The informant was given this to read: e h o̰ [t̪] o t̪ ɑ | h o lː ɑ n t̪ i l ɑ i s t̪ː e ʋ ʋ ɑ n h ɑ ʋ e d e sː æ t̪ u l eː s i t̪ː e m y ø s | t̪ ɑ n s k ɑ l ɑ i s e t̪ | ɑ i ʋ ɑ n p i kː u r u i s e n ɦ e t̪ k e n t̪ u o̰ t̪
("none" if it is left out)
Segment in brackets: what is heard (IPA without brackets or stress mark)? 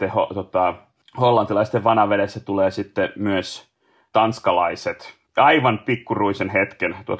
t̪